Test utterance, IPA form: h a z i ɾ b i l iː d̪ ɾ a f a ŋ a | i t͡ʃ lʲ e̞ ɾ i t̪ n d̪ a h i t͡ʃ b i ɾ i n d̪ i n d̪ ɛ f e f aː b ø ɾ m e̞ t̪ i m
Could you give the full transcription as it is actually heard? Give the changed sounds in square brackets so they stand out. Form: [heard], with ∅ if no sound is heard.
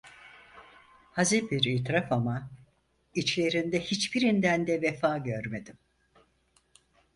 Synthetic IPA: h a z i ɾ b i [ɾ] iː [t̪] ɾ a f a [m] a | i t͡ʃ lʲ e̞ ɾ i [∅] n d̪ [ɛ] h i t͡ʃ b i ɾ i n d̪ [æ] n d̪ ɛ [v] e f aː [ɟ] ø ɾ m e̞ [d̪] i m